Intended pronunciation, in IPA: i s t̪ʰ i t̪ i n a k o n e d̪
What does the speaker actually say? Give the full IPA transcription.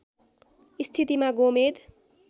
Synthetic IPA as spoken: i s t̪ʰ i t̪ i m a ɡ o m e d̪